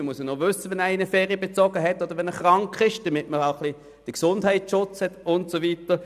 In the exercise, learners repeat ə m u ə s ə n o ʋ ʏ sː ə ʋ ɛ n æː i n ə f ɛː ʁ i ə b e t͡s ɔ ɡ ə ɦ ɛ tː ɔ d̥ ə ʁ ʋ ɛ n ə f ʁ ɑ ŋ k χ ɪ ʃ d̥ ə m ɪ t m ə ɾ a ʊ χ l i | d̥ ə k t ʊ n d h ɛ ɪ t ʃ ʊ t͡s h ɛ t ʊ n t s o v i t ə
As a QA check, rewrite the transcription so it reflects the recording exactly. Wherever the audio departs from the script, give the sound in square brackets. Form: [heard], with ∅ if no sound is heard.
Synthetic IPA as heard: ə m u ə s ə n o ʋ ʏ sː ə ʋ ɛ n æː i n ə f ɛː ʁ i ə b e t͡s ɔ ɡ ə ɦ ɛ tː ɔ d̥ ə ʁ ʋ ɛ n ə [χ] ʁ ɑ ŋ k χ ɪ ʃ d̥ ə m ɪ t m ə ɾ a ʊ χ l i | d̥ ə k [s] ʊ n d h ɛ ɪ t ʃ ʊ t͡s h ɛ t ʊ n t s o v i t ə

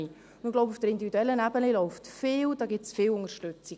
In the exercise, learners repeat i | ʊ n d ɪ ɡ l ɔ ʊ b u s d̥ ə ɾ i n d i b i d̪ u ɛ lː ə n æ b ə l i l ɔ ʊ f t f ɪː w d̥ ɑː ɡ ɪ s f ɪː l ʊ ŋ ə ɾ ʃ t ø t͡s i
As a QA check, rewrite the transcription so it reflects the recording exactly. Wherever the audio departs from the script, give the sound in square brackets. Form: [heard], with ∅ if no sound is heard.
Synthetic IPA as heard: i | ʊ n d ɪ ɡ l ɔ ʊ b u [f] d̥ ə ɾ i n d i [v] i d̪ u ɛ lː ə n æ b ə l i l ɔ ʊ f t f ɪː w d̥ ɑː ɡ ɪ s f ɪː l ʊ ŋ ə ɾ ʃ t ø t͡s i

